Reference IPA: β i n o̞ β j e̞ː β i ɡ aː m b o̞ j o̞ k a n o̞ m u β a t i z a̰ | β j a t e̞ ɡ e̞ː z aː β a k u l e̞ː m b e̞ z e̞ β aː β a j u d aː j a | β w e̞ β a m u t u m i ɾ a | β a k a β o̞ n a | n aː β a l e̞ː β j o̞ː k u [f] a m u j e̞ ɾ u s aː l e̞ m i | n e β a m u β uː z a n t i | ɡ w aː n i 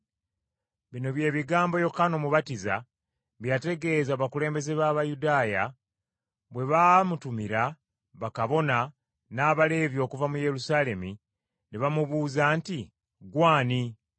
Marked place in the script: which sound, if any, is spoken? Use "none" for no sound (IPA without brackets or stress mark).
v